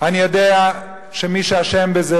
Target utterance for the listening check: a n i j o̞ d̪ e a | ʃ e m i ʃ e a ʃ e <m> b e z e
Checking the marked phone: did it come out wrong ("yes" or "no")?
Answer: no